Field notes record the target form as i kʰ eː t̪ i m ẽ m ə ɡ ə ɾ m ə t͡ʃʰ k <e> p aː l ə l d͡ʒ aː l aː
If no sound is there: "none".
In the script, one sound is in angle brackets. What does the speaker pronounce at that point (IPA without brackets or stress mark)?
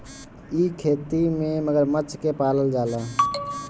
e